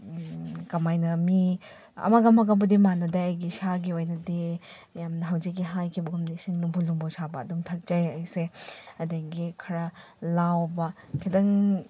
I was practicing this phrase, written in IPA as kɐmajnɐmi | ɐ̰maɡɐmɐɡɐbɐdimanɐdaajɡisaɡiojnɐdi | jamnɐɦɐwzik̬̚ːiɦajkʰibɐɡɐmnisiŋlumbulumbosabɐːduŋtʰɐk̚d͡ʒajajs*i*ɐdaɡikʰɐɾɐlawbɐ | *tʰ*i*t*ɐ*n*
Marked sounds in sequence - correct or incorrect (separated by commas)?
incorrect, incorrect, incorrect, incorrect